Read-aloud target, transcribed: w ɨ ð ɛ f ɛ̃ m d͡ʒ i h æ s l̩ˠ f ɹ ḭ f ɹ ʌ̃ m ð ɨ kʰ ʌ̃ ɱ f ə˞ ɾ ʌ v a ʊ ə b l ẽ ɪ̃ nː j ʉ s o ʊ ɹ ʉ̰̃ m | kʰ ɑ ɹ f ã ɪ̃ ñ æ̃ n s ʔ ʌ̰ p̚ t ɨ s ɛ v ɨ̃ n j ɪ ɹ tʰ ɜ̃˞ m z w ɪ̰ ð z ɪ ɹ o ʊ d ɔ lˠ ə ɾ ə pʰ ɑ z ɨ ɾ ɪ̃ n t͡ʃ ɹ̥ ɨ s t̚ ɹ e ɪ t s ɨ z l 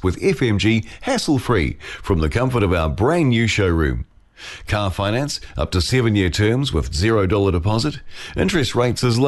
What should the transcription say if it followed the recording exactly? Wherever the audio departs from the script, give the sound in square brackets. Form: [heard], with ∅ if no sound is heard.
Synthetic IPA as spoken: w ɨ ð ɛ f ɛ̃ m d͡ʒ i h æ s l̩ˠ f ɹ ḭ f ɹ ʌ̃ m ð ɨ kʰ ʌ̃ ɱ f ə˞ ɾ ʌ v a ʊ ə b [ɹ] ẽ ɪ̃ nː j ʉ [ʃ] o ʊ ɹ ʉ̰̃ m | kʰ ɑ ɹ f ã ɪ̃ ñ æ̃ n s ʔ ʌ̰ p̚ t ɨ s ɛ v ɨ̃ n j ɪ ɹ tʰ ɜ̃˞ m z w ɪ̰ ð z ɪ ɹ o ʊ d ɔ lˠ ə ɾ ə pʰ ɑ z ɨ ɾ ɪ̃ n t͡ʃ ɹ̥ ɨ s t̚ ɹ e ɪ t s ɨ z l